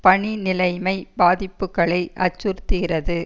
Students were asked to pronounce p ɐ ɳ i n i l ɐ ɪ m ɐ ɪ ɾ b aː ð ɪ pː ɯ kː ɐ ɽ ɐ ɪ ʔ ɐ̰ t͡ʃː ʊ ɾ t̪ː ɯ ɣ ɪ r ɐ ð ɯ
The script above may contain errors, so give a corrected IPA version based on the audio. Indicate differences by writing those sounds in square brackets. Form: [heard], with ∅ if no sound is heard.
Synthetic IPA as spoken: p ɐ ɳ i n [ɪ] l ɐ ɪ m ɐ ɪ [∅] b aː ð ɪ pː ɯ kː ɐ [ɭ] ɐ ɪ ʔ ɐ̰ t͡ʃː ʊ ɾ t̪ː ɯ ɣ ɪ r ɐ ð ɯ